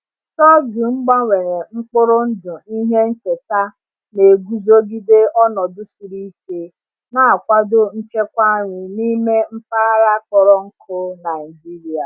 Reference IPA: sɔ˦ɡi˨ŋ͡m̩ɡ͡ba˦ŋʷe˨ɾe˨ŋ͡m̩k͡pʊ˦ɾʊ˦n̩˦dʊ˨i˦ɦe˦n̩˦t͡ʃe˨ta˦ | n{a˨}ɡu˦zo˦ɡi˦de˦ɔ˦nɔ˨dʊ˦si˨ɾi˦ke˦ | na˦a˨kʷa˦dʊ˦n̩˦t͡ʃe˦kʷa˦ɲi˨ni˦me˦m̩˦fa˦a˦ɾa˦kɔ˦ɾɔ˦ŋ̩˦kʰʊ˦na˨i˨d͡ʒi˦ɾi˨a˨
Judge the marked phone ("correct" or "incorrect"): incorrect